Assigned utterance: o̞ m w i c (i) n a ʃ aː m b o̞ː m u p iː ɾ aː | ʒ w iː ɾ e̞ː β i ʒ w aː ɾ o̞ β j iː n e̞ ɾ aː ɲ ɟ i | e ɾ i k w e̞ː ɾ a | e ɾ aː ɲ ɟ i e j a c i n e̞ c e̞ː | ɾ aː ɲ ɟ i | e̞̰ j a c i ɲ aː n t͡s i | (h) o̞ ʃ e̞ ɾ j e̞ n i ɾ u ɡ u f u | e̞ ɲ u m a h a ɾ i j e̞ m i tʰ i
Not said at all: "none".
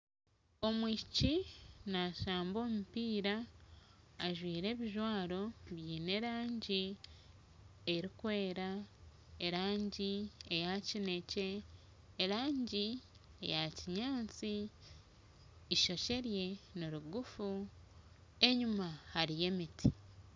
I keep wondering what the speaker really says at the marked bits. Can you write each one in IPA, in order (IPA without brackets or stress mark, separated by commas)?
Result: i, ʃ